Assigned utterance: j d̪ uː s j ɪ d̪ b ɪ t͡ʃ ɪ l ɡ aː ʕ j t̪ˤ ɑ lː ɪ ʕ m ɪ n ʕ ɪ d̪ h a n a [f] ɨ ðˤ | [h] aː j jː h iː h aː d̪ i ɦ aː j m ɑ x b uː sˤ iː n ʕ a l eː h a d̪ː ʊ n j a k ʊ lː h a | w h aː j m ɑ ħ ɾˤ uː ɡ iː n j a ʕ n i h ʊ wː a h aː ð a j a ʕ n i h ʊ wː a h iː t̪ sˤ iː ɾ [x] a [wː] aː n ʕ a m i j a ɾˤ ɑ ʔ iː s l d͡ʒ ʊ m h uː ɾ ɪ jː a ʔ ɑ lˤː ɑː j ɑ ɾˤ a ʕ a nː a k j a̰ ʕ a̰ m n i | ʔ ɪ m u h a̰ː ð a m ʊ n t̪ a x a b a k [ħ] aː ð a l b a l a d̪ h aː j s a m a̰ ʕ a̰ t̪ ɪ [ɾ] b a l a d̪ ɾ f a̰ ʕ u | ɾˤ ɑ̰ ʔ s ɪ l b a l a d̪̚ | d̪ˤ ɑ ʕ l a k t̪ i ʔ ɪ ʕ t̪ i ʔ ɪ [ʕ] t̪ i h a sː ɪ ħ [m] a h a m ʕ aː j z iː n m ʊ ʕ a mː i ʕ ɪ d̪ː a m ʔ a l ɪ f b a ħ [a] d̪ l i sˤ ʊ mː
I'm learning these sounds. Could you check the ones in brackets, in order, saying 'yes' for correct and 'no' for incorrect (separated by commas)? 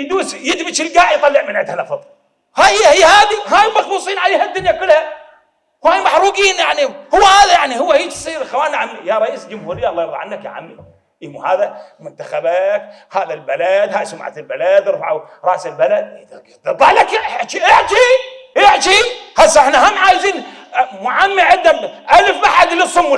yes, yes, yes, no, no, no, yes, no, yes